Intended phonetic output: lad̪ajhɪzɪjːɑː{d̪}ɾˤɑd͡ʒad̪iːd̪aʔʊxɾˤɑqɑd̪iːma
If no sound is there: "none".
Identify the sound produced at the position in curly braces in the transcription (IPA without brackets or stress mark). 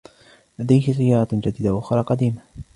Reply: none